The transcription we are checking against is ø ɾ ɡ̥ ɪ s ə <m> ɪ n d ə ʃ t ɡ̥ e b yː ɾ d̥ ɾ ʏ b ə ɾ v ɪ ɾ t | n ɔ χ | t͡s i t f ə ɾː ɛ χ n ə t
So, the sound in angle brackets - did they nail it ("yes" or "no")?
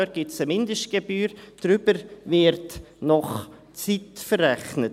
yes